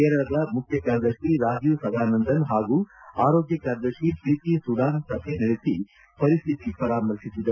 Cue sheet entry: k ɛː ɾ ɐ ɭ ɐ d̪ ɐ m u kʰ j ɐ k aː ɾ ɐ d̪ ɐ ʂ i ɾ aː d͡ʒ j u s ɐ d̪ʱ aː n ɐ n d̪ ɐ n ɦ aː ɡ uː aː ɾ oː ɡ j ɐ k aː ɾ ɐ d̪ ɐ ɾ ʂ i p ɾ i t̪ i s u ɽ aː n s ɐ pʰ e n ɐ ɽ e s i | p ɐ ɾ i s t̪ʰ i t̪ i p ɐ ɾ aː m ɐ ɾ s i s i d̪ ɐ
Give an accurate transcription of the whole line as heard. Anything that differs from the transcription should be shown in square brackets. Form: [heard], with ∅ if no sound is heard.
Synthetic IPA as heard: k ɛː ɾ ɐ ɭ ɐ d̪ ɐ m u kʰ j ɐ k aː ɾ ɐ d̪ ɐ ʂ i ɾ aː d͡ʒ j u s ɐ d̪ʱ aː n ɐ n d̪ ɐ n ɦ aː ɡ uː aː ɾ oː ɡ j ɐ k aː ɾ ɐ d̪ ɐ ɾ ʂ i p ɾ i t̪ i s u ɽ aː n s ɐ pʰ e n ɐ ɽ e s i | p ɐ ɾ i s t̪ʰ i t̪ i p ɐ ɾ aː m ɐ ɾ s i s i d̪ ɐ